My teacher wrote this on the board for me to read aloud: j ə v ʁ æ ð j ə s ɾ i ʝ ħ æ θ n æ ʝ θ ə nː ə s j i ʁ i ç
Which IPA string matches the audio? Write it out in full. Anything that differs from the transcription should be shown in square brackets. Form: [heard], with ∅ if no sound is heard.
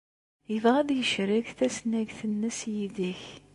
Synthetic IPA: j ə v ʁ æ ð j ə [ʃ] ɾ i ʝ [θ] æ [s] n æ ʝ θ ə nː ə s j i [ð] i ç

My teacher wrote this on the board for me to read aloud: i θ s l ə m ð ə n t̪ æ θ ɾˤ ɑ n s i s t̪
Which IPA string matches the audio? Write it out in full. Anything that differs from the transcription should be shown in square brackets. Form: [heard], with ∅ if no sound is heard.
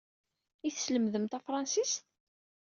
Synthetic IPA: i θ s l ə m ð ə [m] t̪ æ [f] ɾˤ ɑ n s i s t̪

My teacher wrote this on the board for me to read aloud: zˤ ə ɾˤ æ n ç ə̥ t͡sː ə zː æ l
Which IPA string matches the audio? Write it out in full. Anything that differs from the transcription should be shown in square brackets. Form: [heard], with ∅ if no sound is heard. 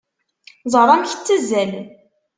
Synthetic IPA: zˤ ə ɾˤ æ [m] ç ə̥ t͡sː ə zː æ l

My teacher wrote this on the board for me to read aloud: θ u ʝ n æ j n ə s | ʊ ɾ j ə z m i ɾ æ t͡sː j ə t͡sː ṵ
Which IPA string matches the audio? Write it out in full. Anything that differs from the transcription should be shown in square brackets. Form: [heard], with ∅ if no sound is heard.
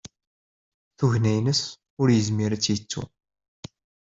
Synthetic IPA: θ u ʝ n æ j n ə s | ʊ ɾ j ə z m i ɾ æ t͡sː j ə t͡sː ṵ

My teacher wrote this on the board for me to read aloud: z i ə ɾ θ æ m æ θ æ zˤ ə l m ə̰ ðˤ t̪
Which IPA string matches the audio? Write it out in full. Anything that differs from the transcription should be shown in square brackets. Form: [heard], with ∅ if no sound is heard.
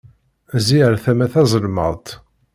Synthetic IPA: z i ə ɾ θ æ m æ θ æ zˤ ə l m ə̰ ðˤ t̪

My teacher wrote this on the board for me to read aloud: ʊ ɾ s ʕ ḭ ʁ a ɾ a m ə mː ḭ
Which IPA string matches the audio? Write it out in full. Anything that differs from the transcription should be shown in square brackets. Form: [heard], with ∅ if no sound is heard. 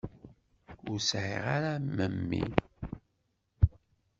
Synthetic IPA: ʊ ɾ s ʕ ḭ ʁ a ɾ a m ə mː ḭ

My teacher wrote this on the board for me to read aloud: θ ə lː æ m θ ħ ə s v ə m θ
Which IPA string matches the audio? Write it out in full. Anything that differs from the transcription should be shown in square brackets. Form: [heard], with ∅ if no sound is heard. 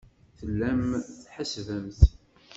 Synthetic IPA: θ ə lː æ m θ ħ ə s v ə m θ

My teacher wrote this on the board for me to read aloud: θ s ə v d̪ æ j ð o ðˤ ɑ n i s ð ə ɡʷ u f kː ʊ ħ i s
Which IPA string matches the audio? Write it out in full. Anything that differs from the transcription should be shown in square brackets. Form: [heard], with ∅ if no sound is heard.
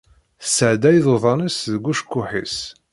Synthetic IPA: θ s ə [ʕ] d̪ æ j ð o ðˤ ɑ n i s ð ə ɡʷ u [ʃ] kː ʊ ħ i s

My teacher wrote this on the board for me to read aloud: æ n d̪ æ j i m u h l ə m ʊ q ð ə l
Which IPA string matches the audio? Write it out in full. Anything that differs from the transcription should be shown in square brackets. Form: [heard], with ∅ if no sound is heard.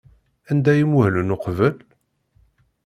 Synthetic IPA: æ n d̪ æ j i m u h l ə [n] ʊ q [v] ə l

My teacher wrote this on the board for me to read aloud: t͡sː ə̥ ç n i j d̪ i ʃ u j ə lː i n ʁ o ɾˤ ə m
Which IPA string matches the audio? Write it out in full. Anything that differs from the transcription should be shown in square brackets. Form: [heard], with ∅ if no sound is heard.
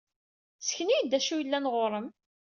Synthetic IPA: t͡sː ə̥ ç n i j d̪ [æ] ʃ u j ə lː [æ] n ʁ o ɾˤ ə m

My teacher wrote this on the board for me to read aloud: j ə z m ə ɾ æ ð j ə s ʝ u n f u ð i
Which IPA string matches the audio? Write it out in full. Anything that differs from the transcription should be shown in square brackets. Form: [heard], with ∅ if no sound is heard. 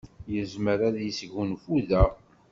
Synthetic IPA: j ə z m ə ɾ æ ð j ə s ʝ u n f u ð [æ]

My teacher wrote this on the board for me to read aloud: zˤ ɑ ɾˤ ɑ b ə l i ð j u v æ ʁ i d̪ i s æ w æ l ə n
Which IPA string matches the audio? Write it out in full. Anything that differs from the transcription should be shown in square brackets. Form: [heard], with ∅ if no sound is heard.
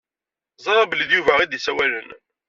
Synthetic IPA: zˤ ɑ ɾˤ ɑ b ə l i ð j u v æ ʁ i d̪ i s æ w æ l ə n

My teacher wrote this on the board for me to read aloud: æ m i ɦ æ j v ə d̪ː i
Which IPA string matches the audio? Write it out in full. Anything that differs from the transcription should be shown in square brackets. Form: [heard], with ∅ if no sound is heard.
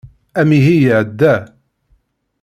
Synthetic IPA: æ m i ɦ [i] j [ʕ] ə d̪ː [æ]

